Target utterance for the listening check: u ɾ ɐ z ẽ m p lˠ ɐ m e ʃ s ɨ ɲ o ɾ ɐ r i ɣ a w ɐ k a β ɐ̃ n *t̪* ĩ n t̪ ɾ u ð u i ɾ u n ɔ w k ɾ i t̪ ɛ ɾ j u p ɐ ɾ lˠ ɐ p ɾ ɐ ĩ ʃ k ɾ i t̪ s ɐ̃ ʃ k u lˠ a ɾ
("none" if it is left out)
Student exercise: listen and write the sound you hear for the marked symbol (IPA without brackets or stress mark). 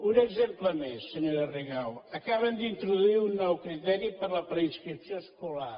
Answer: d̪